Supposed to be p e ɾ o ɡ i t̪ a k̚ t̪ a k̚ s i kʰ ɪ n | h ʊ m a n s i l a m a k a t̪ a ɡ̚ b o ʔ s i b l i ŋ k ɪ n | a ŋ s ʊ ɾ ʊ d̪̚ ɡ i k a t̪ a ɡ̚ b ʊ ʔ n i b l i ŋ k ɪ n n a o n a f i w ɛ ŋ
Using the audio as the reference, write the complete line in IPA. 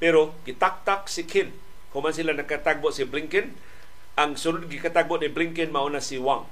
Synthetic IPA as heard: p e ɾ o ɡ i t̪ a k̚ t̪ a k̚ s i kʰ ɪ n | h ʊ m a n s i l a n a k a t̪ a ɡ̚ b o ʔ s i b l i ŋ k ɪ n | a ŋ s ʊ ɾ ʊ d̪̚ ɡ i k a t̪ a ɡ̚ b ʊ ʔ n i b l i ŋ k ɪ n m a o n a s i w a ŋ